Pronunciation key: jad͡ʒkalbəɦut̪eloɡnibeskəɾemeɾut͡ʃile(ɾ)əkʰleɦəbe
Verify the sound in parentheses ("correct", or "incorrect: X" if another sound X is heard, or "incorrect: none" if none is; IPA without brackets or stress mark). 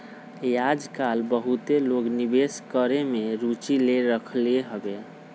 correct